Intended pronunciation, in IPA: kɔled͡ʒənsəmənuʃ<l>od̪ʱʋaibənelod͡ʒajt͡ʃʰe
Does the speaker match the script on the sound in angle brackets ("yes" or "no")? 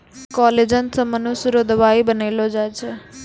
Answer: no